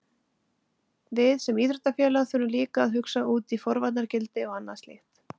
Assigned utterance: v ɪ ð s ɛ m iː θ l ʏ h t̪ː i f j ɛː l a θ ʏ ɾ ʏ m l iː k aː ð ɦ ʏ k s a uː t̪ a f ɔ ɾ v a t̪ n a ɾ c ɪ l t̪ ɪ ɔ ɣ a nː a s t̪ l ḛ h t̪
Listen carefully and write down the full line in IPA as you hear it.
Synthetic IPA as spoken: v ɪ ð s ɛ m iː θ ɾ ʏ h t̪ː a f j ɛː l a θ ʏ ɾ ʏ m l iː k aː ð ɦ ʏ k s a uː t̪ i f ɔ ɾ v a t̪ n a ɾ c ɪ l t̪ ɪ ɔ ɣ a nː a s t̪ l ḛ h t̪